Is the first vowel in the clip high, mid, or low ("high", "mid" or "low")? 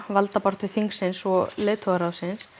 low